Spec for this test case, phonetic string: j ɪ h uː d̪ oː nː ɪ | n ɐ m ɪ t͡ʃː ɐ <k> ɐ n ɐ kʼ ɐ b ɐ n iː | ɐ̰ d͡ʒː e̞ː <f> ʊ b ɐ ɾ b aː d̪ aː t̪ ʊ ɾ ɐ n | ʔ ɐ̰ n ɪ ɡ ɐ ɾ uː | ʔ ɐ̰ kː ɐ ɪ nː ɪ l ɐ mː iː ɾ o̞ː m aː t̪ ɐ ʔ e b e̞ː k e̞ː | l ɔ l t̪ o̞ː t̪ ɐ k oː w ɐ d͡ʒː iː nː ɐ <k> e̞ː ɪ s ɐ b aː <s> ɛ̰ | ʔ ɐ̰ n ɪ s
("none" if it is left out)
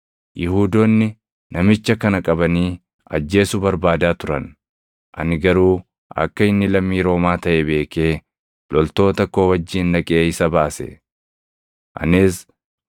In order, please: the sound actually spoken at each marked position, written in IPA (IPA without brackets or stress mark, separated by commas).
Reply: k, s, kʼ, s